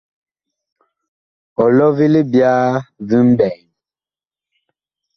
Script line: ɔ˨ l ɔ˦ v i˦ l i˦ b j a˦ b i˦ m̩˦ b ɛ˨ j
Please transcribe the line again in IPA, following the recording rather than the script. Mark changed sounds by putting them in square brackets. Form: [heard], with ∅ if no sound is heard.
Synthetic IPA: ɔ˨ l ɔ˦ v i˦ l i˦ b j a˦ [v] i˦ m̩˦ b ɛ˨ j